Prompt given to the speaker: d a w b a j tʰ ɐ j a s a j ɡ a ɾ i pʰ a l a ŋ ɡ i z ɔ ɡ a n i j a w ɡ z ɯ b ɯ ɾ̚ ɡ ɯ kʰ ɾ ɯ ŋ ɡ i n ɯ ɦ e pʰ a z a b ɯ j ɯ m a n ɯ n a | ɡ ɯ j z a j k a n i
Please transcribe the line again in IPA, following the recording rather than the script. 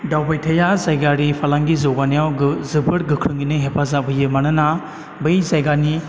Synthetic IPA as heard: d a w b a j tʰ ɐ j a z a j ɡ a ɾ i pʰ a l a ŋ ɡ i z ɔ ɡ a n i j a w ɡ z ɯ b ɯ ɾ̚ ɡ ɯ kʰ ɾ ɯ ŋ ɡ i n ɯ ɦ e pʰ a z a b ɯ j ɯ m a n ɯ n a | b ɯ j z a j ɡ a n i

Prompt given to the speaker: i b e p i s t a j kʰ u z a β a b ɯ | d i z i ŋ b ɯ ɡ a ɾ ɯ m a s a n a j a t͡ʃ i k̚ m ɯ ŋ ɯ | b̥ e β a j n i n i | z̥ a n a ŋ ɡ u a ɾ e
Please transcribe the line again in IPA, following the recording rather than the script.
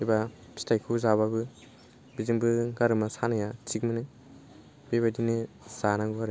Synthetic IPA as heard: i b a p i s t a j kʰ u z a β a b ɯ | b i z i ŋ b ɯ ɡ a ɾ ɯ m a s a n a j a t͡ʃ i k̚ m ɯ n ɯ | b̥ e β a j d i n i | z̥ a n a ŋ ɡ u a ɾ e

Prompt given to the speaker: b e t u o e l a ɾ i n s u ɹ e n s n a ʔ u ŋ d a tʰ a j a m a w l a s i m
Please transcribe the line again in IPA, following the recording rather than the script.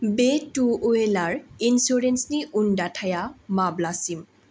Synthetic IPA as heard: b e t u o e l a ɹ i n s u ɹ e n s n i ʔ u n d a tʰ a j a m a b l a s i m

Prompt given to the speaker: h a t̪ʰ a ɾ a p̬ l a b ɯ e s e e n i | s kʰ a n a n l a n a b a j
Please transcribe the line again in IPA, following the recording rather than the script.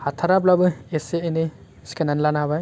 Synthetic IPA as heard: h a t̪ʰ a ɾ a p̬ l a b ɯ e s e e n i | s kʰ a n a n l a n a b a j

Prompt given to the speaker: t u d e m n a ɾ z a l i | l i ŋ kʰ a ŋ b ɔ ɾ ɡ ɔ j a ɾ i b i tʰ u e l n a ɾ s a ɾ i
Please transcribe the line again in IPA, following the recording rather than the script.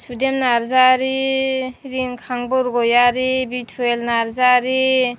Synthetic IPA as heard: s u d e m n a ɾ z a ɾ i | ɾ i ŋ kʰ a ŋ b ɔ ɾ ɡ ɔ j a ɾ i b i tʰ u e l n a ɾ z a ɾ i

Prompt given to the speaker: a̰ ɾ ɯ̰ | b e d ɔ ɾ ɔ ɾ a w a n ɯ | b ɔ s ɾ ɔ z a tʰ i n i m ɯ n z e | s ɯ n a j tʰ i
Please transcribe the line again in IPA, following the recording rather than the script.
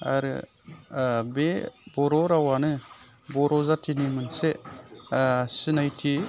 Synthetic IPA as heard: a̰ ɾ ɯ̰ | b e b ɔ ɾ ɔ ɾ a w a n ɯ | b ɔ ɾ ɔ z a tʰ i n i m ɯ n s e | s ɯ n a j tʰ i

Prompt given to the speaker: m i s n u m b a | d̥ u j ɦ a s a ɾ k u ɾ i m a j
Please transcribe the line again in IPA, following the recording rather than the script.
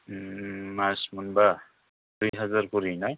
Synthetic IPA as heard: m a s m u n b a | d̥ u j ɦ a z a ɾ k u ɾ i n a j

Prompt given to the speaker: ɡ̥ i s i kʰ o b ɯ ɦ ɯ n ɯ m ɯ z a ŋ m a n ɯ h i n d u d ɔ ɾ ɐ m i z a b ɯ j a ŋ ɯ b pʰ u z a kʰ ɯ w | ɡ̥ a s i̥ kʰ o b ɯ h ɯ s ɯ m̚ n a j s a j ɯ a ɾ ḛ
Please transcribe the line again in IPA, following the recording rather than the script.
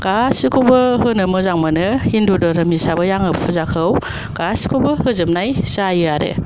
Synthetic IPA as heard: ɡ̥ a s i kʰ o b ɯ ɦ ɯ n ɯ m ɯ z a ŋ m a n ɯ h i n d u d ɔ ɾ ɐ m i s a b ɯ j a ŋ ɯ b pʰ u z a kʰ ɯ w | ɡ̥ a s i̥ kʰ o b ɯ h ɯ z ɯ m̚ n a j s a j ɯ a ɾ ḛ

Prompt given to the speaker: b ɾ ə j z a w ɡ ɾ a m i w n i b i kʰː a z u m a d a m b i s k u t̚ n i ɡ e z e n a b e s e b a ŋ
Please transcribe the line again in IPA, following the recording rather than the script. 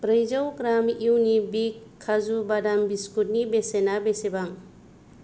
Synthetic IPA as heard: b ɾ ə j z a w ɡ ɾ a m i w n i b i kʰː a z u b a d a m b i s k u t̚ n i b e s e n a b e s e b a ŋ

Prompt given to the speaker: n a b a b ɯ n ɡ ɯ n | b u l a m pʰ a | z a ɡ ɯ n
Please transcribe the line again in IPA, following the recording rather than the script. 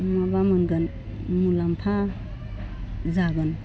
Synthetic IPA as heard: m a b a m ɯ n ɡ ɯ n | m u l a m pʰ a | z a ɡ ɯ n

